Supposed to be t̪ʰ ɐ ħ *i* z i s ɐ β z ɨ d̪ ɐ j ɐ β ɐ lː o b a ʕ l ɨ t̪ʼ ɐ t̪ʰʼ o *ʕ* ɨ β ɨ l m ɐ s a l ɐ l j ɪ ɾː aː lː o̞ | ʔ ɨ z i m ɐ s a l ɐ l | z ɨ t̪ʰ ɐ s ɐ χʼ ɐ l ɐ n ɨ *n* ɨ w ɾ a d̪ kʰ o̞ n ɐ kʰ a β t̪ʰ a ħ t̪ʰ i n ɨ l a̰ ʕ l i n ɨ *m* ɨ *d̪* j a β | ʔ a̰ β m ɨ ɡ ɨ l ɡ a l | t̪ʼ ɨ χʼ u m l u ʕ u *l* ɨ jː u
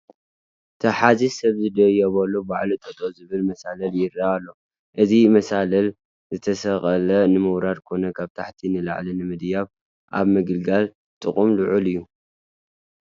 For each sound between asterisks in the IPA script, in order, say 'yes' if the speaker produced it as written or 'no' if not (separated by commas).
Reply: no, no, no, yes, yes, yes